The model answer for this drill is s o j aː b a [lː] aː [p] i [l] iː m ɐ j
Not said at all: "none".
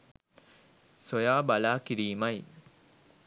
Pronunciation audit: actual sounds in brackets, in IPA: l, k, ɾ

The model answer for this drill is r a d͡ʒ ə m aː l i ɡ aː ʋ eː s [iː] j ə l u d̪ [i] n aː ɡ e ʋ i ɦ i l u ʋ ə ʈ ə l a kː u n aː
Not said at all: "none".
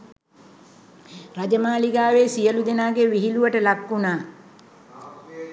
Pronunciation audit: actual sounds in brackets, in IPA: i, e

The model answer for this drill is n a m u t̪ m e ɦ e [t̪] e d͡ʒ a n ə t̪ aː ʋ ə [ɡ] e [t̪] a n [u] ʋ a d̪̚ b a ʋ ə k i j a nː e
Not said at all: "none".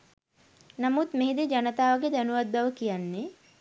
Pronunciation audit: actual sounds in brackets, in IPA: d̪, ɡ, d̪, u

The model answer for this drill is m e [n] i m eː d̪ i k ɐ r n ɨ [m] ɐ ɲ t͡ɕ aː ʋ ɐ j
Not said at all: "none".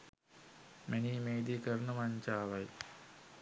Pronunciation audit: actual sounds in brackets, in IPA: n, m

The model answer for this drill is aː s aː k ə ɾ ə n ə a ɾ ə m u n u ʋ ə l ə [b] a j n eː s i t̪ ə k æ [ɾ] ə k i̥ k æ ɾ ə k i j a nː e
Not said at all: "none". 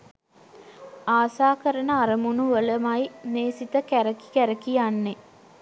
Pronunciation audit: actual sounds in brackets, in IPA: m, ɾ

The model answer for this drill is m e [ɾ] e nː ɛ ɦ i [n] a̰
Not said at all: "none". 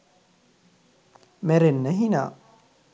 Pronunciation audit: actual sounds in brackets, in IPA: ɾ, n

